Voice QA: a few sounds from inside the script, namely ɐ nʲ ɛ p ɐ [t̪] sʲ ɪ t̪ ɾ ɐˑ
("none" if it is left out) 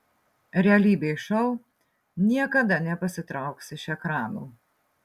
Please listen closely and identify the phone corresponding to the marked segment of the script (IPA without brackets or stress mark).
none